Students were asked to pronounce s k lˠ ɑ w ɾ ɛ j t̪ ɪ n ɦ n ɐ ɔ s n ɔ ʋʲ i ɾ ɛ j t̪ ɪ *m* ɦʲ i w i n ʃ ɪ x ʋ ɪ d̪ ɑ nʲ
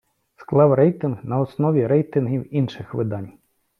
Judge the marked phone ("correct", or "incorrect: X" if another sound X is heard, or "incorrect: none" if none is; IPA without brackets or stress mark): incorrect: n